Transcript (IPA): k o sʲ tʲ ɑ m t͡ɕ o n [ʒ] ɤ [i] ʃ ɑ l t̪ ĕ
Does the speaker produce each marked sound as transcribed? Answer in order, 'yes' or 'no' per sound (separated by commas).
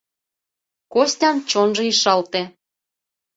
yes, yes